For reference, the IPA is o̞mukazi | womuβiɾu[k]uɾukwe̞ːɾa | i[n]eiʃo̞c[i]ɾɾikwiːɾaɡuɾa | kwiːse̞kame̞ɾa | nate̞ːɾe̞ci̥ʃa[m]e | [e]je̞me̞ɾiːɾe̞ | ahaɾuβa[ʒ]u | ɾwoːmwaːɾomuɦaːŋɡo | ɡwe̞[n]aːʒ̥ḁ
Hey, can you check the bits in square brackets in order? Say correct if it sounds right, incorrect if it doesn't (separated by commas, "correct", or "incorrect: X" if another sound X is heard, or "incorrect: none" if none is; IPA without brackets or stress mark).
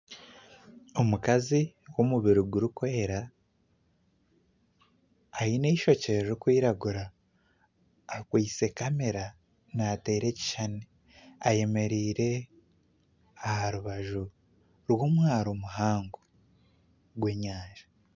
incorrect: ɡ, correct, incorrect: e, incorrect: n, incorrect: a, correct, incorrect: ɲ